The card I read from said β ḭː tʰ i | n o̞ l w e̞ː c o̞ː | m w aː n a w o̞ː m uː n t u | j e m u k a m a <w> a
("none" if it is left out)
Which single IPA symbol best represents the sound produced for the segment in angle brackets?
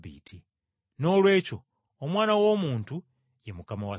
w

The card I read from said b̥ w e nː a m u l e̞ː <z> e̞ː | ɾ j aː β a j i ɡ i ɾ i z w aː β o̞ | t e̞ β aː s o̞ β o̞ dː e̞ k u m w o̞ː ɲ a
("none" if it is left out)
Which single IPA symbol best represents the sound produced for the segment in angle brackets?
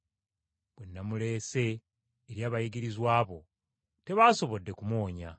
s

